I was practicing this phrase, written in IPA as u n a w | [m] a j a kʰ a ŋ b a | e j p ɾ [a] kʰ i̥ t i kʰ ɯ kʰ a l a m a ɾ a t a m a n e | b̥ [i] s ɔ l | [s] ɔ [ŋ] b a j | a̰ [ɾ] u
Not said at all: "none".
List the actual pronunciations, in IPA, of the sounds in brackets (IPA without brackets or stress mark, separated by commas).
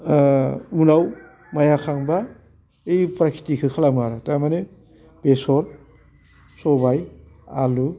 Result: m, a, e, s, none, l